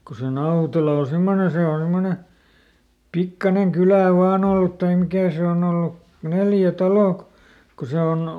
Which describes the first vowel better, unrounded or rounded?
rounded